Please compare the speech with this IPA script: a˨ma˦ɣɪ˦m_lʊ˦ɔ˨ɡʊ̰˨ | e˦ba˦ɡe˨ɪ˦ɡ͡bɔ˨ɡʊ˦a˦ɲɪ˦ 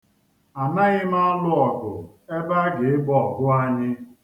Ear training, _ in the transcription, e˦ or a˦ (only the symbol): a˦